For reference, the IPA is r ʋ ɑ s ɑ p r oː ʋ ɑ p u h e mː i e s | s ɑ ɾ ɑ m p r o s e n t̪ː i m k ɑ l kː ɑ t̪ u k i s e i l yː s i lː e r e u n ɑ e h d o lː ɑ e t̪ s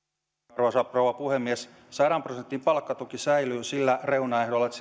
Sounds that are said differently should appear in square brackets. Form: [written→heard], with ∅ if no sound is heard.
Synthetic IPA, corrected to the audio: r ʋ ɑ s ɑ p r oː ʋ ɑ p u h e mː i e s | s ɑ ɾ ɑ m p r o s e n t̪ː i m [k→p] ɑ l kː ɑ t̪ u k i s [e→æ] i l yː s i lː [e→æ] r e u n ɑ e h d o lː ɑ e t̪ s